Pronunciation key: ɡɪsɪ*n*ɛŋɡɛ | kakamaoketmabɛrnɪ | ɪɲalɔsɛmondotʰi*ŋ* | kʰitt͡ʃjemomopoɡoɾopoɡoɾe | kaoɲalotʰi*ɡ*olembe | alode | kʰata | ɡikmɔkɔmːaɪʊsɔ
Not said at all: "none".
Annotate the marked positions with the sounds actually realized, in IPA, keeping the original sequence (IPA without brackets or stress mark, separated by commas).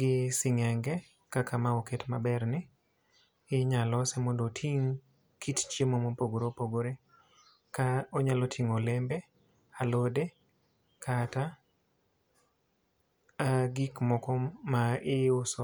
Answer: ŋ, ŋ, ŋ